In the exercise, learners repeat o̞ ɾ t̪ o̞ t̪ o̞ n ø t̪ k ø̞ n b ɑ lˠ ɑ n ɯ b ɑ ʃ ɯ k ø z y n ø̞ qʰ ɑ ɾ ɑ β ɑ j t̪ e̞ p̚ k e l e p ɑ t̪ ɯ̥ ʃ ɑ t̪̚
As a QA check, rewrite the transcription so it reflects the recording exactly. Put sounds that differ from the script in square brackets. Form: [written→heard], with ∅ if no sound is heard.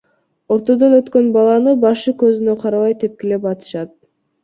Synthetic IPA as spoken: o̞ ɾ t̪ o̞ [t̪→d̪] o̞ n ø t̪ k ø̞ n b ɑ lˠ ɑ n ɯ b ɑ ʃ ɯ k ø z y n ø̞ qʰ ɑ ɾ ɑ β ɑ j t̪ e̞ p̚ k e l e p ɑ t̪ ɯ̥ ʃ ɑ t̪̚